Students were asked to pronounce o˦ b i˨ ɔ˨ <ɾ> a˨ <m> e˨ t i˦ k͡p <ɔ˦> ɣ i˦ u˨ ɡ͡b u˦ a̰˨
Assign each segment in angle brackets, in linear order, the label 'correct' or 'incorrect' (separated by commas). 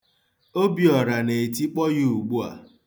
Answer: correct, incorrect, correct